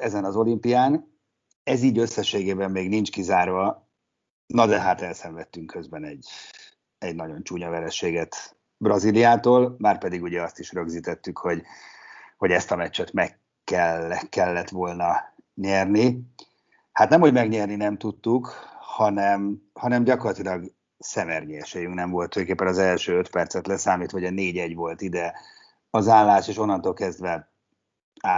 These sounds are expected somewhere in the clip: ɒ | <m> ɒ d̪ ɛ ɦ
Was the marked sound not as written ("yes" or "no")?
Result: yes